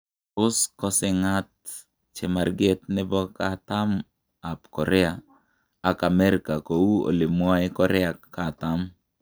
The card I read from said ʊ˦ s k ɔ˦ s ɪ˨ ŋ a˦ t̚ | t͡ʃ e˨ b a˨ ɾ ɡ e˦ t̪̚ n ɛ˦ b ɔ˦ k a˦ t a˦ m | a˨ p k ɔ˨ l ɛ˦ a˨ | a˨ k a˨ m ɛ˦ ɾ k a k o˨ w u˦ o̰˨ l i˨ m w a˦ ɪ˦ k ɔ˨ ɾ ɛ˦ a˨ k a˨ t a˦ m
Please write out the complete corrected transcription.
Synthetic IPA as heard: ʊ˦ s k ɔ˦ s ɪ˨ ŋ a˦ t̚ | t͡ʃ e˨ m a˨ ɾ ɡ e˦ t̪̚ n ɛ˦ b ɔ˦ k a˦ t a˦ m | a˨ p k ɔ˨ ɾ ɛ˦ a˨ | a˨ k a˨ m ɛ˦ ɾ k a k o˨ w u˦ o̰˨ l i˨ m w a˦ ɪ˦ k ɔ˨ ɾ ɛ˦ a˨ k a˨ t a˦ m